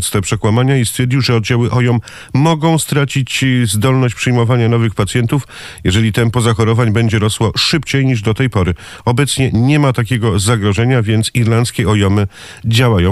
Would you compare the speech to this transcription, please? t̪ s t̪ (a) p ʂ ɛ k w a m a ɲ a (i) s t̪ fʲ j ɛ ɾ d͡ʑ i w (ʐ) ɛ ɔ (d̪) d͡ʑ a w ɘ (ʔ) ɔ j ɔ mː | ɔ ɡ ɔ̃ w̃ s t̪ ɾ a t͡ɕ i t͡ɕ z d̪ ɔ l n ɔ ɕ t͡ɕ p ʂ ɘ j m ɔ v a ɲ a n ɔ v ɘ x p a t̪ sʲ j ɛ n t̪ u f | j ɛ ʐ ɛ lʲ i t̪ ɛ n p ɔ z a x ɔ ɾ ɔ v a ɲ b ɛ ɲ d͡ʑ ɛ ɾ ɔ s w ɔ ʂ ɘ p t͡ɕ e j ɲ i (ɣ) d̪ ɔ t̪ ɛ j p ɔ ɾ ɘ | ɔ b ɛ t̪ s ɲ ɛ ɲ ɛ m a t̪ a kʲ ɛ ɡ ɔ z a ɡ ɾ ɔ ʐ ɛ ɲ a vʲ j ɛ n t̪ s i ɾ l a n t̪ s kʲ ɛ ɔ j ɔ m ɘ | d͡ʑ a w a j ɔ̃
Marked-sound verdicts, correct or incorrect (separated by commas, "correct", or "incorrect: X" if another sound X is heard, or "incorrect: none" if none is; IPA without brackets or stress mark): incorrect: ɛ, correct, correct, correct, correct, incorrect: ʐ